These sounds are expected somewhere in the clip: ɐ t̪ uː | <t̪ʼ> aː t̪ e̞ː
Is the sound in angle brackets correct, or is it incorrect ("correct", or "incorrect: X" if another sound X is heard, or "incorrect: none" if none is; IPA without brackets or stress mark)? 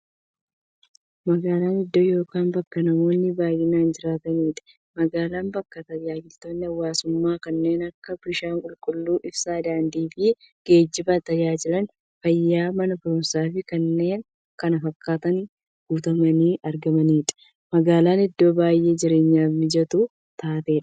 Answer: incorrect: t̪